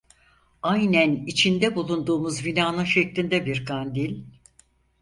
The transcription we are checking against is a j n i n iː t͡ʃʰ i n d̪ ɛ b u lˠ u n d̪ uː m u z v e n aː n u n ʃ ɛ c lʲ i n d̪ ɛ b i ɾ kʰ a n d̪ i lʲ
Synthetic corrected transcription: a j n æ n i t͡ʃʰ i n d̪ ɛ b u lˠ u n d̪ uː m u z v i n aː n ɯ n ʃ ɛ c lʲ i n d̪ ɛ b i ɾ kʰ a n d̪ i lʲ